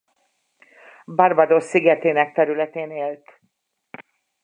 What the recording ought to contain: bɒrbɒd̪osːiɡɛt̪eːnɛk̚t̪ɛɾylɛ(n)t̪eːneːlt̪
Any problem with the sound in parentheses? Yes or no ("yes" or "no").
yes